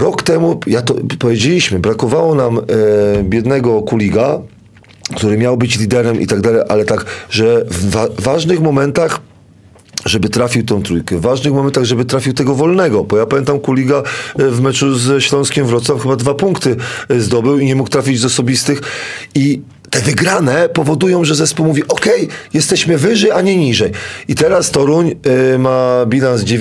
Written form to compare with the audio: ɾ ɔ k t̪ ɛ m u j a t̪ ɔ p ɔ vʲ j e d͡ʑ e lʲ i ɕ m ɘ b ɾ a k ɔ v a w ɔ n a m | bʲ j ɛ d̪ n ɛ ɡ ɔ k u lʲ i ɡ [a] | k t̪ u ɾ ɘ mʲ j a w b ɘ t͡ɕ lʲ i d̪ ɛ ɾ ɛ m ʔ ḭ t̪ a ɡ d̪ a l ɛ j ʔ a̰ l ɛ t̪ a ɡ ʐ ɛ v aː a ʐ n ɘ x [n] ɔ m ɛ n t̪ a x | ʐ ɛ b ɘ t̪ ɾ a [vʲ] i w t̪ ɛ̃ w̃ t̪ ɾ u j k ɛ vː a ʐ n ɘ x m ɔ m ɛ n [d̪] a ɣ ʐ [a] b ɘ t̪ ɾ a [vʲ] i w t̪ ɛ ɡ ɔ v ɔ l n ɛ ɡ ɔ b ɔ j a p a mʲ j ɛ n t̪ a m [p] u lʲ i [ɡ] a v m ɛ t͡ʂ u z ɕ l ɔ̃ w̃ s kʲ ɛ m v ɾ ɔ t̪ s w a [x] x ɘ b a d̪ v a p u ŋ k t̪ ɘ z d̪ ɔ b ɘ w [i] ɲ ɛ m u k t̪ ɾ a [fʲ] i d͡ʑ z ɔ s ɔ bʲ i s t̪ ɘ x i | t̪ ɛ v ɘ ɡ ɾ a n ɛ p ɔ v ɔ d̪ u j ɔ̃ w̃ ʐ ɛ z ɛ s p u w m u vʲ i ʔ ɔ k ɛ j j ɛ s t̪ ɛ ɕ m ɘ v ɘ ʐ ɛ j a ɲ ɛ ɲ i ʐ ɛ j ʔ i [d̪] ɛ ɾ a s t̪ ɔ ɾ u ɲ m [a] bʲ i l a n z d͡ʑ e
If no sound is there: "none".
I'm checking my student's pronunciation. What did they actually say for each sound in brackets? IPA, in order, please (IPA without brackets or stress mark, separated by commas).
a, m, fʲ, t̪, ɛ, fʲ, k, ɡ, f, i, fʲ, t̪, a